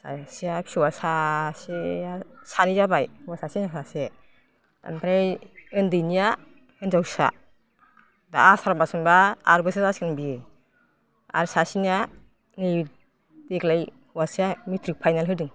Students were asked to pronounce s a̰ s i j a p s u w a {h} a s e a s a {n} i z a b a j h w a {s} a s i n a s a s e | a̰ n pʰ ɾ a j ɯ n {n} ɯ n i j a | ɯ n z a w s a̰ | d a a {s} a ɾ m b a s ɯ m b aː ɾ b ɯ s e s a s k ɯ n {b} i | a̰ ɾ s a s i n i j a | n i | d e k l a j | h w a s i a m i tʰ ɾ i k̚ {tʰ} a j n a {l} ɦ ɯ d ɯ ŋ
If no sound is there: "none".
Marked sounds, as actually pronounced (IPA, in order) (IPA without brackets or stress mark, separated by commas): s, n, s, d, s, b, pʰ, l